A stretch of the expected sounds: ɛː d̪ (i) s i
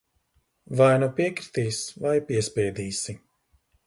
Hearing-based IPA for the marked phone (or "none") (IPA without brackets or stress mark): iː